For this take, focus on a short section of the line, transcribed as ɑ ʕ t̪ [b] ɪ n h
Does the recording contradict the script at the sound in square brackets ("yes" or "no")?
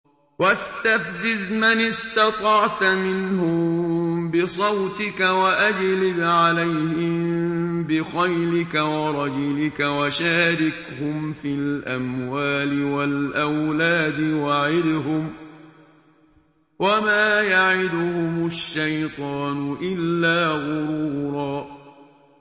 yes